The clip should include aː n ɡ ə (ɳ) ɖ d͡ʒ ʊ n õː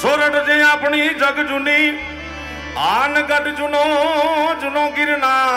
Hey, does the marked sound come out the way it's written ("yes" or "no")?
no